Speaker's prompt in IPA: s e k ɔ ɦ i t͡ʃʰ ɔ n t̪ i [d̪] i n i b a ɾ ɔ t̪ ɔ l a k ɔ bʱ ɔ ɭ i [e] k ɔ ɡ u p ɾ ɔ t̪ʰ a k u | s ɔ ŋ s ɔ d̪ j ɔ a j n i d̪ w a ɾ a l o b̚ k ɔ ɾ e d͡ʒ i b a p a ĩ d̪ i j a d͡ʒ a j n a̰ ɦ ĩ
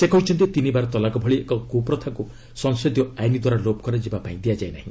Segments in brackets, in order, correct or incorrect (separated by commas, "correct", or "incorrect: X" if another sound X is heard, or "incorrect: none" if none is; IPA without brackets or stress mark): incorrect: t̪, correct